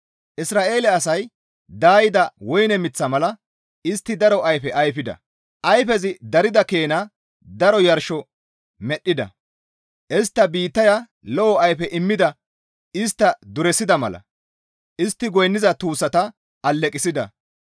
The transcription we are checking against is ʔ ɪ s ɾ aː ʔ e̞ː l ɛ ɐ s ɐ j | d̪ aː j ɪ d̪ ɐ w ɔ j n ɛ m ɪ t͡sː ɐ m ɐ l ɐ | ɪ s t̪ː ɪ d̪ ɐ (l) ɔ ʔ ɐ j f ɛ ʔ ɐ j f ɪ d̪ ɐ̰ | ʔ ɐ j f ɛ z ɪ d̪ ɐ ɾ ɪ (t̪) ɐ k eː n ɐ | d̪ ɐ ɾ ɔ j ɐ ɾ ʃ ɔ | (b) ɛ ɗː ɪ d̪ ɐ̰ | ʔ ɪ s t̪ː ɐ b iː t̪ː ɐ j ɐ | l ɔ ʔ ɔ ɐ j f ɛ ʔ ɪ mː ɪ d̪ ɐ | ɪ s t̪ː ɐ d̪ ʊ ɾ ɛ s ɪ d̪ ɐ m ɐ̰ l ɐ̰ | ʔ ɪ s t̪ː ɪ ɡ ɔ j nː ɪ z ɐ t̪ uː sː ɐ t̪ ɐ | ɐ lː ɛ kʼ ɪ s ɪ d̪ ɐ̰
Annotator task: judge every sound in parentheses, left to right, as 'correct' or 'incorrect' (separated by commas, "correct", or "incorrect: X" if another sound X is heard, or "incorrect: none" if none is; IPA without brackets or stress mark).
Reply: incorrect: ɾ, incorrect: d̪, incorrect: m